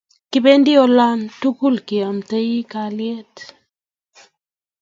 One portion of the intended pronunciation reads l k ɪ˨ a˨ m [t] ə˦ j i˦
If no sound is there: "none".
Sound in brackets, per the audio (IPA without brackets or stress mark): t